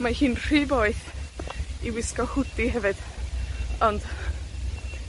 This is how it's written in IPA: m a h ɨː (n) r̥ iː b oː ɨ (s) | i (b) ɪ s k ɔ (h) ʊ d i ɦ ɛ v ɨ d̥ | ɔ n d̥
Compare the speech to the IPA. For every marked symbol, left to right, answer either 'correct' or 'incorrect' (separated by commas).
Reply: correct, incorrect, incorrect, correct